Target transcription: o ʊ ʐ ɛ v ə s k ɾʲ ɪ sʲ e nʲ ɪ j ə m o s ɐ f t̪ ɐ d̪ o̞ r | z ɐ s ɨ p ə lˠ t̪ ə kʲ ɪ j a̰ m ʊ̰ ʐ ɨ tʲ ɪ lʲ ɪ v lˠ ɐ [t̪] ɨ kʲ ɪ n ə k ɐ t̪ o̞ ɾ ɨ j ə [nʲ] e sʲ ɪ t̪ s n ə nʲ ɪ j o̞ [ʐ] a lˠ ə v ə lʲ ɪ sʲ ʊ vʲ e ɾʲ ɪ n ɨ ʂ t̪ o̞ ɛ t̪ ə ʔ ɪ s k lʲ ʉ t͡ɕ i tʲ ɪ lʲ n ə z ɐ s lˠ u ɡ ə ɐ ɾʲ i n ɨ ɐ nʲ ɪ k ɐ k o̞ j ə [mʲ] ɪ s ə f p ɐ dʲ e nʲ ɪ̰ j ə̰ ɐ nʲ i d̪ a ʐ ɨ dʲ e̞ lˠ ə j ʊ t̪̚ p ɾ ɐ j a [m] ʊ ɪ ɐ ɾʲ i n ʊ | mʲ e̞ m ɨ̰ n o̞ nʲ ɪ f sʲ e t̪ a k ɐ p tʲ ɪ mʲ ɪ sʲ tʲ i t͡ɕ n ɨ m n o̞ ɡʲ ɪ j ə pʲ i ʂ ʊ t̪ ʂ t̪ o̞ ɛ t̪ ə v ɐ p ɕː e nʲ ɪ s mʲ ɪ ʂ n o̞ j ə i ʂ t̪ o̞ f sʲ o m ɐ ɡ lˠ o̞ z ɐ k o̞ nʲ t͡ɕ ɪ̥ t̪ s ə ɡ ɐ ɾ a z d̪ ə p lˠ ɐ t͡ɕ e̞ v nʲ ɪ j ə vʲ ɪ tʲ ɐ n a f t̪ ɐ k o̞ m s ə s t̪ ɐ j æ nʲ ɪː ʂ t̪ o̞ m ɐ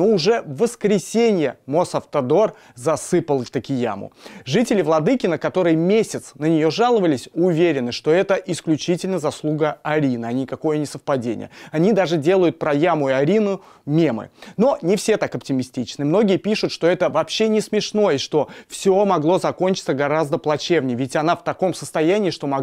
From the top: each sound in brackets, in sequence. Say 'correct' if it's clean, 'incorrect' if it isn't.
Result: incorrect: d̪, incorrect: mʲ, correct, incorrect: nʲ, correct

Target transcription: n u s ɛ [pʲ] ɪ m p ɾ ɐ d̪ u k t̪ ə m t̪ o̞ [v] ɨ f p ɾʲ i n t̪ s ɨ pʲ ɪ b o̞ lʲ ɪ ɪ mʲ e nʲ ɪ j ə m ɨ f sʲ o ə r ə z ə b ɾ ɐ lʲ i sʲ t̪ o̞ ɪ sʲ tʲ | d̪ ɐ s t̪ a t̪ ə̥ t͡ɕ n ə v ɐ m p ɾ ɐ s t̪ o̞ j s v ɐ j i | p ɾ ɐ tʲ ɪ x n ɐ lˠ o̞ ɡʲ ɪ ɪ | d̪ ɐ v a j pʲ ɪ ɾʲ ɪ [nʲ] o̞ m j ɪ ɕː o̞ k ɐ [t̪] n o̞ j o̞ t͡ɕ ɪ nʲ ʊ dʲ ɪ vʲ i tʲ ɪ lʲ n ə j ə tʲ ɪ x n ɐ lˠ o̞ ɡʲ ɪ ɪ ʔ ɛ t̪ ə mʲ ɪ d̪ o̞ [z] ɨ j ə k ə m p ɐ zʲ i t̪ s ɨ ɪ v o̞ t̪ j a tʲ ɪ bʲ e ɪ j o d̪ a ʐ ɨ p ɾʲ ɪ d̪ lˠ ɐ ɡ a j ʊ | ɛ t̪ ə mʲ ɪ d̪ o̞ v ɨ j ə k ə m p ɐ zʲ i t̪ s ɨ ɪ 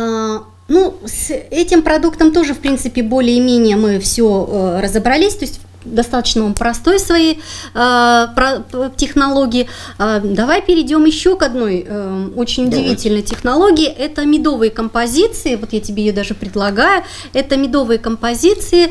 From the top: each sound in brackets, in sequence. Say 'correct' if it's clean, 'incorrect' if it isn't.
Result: incorrect: tʲ, incorrect: ʐ, incorrect: dʲ, incorrect: d̪, incorrect: v

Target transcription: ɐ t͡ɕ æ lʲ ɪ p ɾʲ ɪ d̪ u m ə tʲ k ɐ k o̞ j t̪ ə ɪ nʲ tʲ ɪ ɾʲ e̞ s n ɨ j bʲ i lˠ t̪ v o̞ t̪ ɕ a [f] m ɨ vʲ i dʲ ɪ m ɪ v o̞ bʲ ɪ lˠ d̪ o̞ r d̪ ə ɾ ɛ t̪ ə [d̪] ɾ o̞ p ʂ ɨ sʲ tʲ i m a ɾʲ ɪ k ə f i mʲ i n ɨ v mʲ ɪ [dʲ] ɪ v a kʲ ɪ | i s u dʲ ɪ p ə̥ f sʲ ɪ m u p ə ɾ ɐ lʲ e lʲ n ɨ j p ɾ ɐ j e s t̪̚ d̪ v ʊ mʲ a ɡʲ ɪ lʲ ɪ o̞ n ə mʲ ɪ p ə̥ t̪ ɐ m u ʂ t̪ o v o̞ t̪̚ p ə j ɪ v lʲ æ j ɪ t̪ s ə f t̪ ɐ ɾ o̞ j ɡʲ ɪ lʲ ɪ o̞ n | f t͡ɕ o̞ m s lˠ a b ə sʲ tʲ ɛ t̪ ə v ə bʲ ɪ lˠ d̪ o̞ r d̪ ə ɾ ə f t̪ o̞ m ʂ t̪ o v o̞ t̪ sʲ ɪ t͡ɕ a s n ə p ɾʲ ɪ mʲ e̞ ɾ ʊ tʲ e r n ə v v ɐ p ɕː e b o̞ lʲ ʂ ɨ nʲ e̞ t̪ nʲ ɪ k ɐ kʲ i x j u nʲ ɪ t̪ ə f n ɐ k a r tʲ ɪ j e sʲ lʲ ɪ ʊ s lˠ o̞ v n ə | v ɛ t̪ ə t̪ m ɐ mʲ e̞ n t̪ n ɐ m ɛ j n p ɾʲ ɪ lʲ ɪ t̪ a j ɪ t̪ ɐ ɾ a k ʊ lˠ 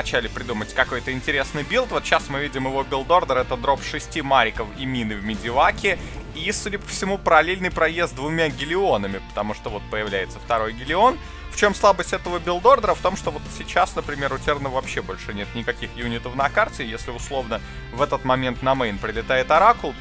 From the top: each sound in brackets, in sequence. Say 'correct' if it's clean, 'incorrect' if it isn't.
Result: incorrect: s, correct, correct

